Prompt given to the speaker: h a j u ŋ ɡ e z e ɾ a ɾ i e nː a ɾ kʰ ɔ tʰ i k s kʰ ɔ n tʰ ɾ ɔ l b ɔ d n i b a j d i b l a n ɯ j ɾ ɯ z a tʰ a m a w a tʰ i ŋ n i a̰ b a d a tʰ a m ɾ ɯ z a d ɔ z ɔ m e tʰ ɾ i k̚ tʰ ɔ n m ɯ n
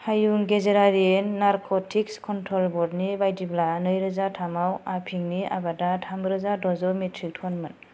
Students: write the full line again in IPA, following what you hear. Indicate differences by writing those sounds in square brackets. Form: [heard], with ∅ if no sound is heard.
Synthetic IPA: h a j u ŋ ɡ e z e ɾ a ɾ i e nː a ɾ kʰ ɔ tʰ i k s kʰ ɔ n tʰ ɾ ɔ l b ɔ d n i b a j d i b l a n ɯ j ɾ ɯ z a tʰ a m a w a [pʰ] i ŋ n i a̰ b a d a tʰ a m ɾ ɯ z a d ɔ z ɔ m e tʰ ɾ i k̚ tʰ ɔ n m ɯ n